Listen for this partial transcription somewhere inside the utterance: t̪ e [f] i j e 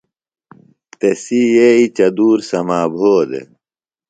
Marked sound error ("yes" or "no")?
yes